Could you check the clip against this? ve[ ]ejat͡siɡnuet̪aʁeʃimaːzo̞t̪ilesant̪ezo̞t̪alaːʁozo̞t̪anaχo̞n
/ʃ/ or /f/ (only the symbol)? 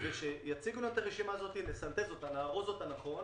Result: ʃ